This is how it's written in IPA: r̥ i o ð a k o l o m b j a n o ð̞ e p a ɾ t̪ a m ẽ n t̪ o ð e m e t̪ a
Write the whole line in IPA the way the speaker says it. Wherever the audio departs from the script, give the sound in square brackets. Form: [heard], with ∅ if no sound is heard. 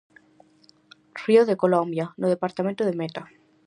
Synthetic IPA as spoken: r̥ i o ð [e] k o l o m b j a n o ð̞ e p a ɾ t̪ a m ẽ n t̪ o ð e m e t̪ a